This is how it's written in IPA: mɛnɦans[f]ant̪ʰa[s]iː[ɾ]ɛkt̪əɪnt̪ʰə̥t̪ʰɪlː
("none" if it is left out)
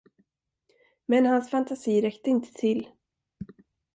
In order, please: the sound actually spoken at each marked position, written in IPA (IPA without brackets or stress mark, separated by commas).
f, s, ɾ